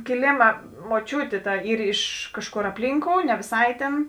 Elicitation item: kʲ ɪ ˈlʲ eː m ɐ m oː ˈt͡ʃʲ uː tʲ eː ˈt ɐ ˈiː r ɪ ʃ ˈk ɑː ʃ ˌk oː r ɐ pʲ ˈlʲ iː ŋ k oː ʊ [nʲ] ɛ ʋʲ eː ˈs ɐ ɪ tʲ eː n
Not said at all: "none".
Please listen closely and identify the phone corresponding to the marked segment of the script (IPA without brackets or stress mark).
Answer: nʲ